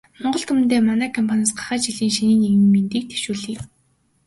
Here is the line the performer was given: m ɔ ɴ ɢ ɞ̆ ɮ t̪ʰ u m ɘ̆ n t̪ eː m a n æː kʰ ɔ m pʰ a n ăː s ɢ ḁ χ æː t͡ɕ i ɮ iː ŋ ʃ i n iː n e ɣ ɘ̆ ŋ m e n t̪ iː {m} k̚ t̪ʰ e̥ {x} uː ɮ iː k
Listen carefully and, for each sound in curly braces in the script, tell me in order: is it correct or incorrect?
incorrect, incorrect

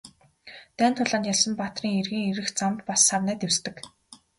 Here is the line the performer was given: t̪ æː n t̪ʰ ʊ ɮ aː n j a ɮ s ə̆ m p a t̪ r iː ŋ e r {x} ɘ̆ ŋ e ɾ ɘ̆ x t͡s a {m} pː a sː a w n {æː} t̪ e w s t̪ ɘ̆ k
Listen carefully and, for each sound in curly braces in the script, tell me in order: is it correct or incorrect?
incorrect, correct, correct

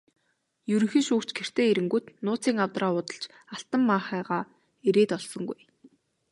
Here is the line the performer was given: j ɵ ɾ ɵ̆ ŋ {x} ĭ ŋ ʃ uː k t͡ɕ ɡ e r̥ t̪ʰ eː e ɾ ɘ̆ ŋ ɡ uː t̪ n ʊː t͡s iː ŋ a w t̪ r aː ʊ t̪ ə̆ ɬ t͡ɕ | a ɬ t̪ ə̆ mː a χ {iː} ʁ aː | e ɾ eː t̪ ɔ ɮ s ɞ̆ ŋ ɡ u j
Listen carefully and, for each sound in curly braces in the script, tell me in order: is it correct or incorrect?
correct, incorrect

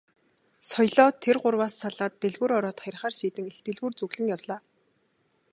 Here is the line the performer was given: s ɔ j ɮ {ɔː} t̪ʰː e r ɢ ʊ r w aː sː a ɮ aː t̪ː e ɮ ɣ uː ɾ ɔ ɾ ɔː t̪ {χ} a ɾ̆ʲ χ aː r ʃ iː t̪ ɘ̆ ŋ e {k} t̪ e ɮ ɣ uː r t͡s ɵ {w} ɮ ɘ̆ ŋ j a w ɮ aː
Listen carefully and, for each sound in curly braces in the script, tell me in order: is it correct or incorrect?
correct, correct, incorrect, incorrect

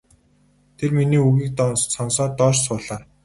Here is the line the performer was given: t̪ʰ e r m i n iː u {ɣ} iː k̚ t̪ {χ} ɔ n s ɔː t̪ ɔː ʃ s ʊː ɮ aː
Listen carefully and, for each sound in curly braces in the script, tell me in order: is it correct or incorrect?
correct, incorrect

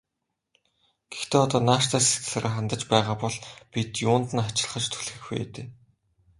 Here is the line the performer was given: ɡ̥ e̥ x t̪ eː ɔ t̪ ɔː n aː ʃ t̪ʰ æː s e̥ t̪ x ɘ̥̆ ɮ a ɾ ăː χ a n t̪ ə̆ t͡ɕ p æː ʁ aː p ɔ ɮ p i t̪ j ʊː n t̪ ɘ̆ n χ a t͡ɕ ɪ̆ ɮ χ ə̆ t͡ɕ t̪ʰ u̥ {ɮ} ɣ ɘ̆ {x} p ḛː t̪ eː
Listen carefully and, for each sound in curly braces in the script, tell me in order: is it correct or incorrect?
correct, correct

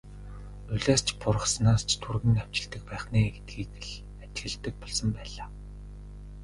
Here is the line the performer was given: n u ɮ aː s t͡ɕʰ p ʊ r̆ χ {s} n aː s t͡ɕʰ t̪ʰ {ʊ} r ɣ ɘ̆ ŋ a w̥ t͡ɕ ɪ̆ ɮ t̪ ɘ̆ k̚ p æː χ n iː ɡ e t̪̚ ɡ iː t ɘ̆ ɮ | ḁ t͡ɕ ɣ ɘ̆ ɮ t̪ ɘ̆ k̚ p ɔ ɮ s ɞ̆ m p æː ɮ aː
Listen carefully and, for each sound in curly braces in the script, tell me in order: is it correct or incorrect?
correct, incorrect

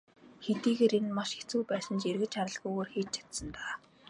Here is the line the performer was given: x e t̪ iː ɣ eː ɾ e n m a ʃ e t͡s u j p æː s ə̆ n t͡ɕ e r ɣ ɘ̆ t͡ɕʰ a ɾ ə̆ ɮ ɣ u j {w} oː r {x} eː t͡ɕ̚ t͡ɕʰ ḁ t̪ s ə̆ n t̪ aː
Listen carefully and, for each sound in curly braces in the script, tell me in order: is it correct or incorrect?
incorrect, correct

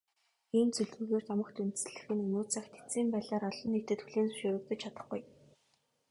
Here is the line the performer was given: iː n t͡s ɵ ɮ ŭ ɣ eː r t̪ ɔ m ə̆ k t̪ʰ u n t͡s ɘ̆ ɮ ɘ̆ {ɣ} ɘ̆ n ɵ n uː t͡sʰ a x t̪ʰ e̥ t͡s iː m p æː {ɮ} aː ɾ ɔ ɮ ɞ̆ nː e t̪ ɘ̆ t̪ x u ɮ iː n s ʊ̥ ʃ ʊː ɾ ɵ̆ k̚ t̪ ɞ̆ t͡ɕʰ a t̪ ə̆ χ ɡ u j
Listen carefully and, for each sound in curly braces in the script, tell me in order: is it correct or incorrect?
incorrect, correct

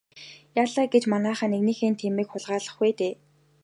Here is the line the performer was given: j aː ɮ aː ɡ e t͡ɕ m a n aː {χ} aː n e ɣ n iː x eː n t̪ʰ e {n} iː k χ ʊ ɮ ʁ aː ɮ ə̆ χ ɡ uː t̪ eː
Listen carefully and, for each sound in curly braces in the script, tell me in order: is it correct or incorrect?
correct, incorrect

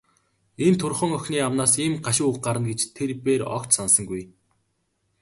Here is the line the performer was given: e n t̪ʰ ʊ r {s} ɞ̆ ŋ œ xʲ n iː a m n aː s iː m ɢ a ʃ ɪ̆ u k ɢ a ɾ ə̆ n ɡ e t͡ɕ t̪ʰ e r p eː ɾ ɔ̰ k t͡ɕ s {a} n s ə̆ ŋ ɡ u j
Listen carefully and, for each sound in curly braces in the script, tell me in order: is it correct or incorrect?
incorrect, correct

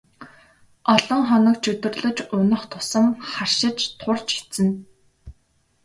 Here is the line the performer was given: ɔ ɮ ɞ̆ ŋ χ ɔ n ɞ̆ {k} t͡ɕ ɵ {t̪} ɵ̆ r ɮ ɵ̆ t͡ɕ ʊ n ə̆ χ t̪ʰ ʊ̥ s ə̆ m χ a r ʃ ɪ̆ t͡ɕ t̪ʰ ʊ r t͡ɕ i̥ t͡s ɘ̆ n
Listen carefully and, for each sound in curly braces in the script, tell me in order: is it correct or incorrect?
correct, correct

